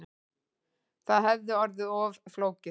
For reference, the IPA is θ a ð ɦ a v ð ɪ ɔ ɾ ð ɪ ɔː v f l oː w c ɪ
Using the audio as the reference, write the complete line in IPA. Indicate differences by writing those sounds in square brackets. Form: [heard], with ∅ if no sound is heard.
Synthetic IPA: θ a ð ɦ [ɛ] v ð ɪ ɔ ɾ ð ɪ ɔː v f l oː w c ɪ